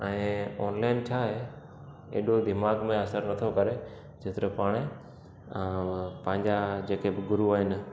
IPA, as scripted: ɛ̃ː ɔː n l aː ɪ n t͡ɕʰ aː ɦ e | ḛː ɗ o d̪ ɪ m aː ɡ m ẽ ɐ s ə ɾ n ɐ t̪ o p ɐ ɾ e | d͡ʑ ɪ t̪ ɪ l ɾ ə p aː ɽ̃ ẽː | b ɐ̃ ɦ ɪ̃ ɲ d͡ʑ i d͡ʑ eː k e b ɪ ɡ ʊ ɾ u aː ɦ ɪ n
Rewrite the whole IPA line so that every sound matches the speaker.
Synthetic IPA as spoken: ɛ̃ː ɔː n l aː ɪ n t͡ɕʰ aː ɦ e | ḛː ɗ o d̪ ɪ m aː ɡ m ẽ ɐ s ə ɾ n ɐ t̪ʰ o k ɐ ɾ e | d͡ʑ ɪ t̪ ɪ ɾ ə p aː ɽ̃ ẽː | p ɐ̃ ɦ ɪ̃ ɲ d͡ʑ a d͡ʑ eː k e b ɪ ɡ ʊ ɾ u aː ɦ ɪ n